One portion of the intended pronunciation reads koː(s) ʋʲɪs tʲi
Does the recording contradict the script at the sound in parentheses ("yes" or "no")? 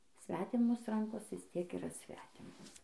no